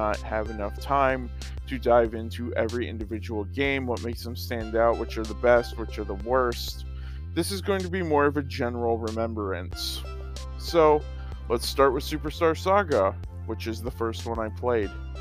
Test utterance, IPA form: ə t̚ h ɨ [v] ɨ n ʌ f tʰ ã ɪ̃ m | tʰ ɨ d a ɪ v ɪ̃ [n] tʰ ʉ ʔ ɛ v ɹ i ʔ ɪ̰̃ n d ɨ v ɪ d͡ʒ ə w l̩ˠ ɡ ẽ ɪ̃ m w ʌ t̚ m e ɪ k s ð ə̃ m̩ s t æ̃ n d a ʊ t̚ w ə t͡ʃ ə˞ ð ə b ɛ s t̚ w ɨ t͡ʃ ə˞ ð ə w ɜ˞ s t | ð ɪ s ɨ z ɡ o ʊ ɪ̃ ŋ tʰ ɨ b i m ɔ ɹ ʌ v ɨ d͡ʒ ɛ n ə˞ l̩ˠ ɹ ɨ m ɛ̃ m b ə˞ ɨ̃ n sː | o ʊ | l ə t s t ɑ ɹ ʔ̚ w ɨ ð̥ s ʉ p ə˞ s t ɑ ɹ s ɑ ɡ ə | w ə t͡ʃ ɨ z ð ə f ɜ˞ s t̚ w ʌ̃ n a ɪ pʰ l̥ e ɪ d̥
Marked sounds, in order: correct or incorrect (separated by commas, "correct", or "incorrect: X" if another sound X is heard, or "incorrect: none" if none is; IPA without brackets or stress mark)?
correct, correct